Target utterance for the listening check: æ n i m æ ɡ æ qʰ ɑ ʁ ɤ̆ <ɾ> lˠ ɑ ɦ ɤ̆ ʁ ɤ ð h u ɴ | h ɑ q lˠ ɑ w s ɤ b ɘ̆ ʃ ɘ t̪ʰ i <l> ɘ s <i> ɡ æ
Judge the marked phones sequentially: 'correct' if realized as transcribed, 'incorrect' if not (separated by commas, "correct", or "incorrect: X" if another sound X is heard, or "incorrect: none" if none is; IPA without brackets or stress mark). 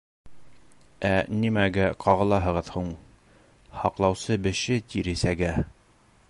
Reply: incorrect: none, incorrect: ɾ, incorrect: æ